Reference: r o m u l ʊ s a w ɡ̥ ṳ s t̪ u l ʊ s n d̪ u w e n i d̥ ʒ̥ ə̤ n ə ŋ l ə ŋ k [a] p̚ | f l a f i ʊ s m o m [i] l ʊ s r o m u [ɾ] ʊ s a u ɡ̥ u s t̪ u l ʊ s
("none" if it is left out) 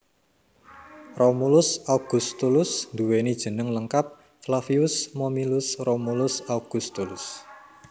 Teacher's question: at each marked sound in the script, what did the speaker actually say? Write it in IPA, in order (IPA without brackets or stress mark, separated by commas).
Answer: a, i, l